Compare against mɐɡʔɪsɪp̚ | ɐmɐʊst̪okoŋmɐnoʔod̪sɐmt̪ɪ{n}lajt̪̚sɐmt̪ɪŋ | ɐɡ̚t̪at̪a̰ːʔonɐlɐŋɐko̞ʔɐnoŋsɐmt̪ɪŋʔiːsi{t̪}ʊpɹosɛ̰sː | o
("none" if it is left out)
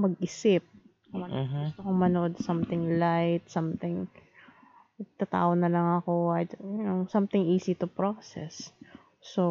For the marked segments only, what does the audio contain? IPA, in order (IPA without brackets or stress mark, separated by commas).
ŋ, t̪